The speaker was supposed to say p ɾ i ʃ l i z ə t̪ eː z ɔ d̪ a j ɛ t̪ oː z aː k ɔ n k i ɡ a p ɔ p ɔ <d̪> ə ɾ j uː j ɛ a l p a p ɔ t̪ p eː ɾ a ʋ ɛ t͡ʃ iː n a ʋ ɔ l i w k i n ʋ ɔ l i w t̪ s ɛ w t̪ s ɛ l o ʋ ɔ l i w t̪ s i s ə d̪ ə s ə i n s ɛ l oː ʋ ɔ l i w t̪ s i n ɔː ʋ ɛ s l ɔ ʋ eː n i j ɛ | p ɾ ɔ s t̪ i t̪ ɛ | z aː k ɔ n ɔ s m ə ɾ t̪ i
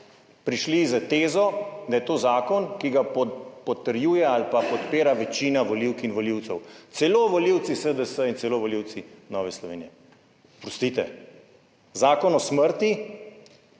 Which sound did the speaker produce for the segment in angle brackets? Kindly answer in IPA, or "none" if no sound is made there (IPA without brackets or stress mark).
t̪